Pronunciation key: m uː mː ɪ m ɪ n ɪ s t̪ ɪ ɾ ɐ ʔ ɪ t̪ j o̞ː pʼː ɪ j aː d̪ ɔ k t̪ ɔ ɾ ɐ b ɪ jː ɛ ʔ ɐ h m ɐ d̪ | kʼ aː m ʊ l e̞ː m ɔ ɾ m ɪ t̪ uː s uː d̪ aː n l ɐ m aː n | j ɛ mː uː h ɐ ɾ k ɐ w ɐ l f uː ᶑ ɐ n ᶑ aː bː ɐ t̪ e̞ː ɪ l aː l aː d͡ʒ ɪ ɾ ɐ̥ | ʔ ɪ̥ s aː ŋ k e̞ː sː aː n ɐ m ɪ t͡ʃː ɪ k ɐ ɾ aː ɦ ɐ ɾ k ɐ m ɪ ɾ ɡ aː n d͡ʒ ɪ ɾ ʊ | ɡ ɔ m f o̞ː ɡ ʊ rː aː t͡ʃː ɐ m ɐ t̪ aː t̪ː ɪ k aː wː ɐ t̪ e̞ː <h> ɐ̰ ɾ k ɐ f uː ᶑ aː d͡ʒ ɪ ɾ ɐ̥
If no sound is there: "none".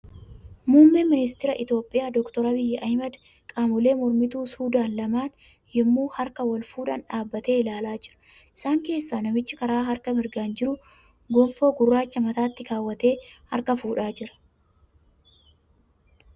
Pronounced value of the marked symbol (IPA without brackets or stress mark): h